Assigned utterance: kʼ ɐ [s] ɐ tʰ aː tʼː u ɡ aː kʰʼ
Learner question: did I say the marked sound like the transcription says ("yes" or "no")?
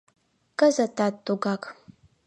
no